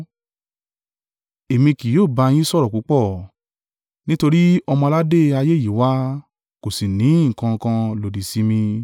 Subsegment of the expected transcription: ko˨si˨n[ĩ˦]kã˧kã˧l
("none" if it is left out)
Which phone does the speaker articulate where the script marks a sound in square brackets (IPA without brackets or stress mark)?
ĩ˨˦˨